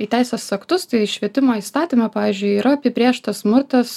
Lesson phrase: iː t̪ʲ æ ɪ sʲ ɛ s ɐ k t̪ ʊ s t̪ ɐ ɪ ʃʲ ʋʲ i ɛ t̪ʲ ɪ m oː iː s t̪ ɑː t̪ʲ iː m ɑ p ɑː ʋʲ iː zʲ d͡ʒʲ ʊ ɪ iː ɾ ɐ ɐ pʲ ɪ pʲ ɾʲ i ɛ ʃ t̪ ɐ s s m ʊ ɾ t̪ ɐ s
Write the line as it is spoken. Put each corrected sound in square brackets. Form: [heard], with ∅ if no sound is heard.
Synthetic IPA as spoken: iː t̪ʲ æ ɪ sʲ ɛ s ɐ k t̪ ʊ s t̪ ɐ ɪ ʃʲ ʋʲ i ɛ t̪ʲ ɪ m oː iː s t̪ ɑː t̪ʲ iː m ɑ p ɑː ʋʲ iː zʲ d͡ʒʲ ʊ ɪ iː ɾ ɐ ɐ pʲ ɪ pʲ ɾʲ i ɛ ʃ t̪ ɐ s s m ʊ ɾ t̪ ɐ s